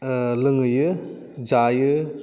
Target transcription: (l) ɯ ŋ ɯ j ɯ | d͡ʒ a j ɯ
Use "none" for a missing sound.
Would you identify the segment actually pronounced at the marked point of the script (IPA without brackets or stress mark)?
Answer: l